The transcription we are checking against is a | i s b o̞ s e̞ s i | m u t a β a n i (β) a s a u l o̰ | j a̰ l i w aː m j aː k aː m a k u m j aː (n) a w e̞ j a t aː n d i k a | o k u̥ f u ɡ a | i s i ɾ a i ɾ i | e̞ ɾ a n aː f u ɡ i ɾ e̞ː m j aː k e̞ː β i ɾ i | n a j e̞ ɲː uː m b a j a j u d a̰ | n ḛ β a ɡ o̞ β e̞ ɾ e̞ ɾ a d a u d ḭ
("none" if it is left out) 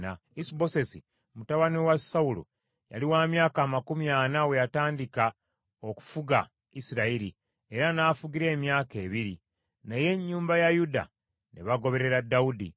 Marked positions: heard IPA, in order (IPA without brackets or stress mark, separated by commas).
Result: w, n